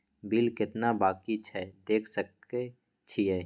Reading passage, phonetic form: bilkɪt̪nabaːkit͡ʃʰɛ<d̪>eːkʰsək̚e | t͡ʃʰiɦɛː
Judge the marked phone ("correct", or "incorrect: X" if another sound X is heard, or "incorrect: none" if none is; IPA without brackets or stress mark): correct